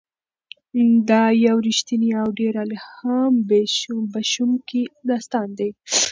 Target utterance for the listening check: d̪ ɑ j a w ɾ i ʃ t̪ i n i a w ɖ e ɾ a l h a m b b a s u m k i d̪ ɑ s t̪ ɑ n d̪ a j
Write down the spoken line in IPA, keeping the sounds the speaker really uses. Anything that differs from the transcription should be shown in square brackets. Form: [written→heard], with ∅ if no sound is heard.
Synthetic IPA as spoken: d̪ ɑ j a w ɾ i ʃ t̪ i n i a w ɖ e ɾ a l h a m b b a [s→ʃ] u m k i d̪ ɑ s t̪ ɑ n d̪ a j